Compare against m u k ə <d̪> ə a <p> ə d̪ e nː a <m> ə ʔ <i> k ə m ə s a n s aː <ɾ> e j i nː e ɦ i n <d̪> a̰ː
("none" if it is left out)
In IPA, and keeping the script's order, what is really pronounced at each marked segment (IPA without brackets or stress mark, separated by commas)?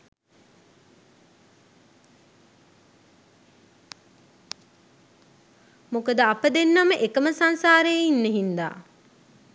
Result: d̪, p, m, e, ɾ, d̪